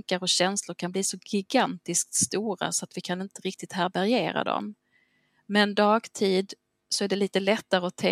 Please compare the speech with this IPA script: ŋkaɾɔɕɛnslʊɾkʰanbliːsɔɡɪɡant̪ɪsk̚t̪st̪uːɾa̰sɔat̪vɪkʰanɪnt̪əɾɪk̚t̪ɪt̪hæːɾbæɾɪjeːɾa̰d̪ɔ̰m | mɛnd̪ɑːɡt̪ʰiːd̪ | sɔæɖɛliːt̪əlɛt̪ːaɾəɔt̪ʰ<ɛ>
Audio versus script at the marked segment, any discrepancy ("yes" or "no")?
no